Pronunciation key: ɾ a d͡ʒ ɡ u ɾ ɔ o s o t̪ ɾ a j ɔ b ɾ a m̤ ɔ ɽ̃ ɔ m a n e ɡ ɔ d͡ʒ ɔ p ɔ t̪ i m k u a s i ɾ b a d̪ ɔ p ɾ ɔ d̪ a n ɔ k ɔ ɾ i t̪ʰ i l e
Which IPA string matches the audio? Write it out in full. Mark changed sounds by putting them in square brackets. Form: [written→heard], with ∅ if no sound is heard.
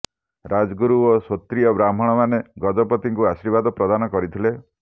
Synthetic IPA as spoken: ɾ a d͡ʒ ɡ u ɾ [ɔ→u] o s o t̪ ɾ [a→i] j ɔ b ɾ a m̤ ɔ ɽ̃ ɔ m a n e ɡ ɔ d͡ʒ ɔ p ɔ t̪ i [m→ŋ] k u a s i ɾ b a d̪ ɔ p ɾ ɔ d̪ a n ɔ k ɔ ɾ i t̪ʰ i l e